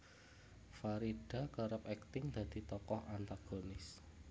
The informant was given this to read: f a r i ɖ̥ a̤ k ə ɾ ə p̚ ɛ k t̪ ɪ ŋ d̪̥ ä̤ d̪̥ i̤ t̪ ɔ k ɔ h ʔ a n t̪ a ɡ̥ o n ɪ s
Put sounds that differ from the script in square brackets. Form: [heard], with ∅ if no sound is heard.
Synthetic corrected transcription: f a [ɾ] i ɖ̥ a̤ k ə ɾ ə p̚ ɛ k t̪ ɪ ŋ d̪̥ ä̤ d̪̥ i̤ t̪ ɔ k ɔ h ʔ a n t̪ a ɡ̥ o n ɪ s